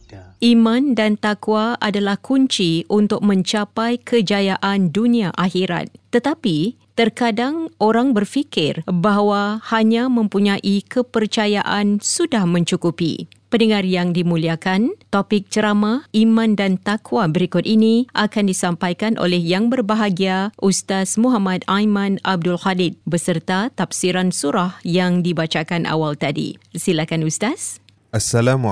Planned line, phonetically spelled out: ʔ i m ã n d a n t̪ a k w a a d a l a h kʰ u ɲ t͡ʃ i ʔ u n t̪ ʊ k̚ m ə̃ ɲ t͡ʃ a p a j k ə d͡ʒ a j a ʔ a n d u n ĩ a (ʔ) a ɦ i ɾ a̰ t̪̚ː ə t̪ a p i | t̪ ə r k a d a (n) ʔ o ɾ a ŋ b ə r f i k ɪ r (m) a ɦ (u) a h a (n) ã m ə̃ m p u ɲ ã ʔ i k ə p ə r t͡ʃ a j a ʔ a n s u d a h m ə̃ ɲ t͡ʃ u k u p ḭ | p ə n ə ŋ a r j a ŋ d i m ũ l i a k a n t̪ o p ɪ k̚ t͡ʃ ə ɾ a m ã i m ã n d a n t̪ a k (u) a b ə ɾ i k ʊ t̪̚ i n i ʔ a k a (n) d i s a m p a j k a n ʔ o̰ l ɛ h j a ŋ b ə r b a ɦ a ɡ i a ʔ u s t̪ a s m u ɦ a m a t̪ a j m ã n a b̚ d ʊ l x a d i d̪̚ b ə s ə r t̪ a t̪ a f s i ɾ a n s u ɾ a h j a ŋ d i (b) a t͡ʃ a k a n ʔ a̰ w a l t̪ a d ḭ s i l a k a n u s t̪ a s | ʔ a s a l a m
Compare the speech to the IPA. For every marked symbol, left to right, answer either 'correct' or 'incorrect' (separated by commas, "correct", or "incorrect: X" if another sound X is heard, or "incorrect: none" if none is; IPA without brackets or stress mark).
correct, incorrect: ŋ, incorrect: b, incorrect: w, incorrect: ɲ, incorrect: w, correct, correct